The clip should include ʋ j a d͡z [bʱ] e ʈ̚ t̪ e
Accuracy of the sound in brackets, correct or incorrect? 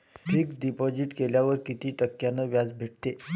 correct